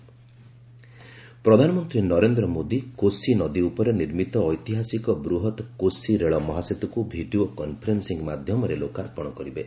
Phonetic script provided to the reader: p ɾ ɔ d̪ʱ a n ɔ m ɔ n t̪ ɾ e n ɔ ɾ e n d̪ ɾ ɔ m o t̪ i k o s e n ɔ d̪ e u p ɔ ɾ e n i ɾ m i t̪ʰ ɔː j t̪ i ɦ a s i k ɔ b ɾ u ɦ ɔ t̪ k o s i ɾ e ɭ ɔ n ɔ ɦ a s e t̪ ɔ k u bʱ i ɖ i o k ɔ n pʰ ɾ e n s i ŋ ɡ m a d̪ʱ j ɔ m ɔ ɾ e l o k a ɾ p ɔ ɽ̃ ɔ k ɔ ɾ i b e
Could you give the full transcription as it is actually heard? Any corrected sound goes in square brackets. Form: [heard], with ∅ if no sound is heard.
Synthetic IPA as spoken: p ɾ ɔ d̪ʱ a n ɔ m ɔ n t̪ ɾ [i] n ɔ ɾ e n d̪ ɾ ɔ m o [d̪] i k o s [i] n ɔ d̪ [i] u p ɔ ɾ e n i ɾ m i [t̪] ɔː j t̪ i ɦ a s i k ɔ b ɾ u ɦ ɔ t̪ k o s i ɾ e ɭ ɔ [m] ɔ ɦ a s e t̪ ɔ k u bʱ i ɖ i o k ɔ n pʰ ɾ e n s i ŋ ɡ m a d̪ʱ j ɔ m ɔ ɾ e l o k a ɾ p ɔ ɽ̃ ɔ k ɔ ɾ i b e